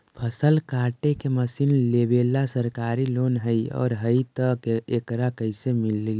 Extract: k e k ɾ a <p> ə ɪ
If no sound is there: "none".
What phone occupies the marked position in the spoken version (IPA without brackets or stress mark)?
k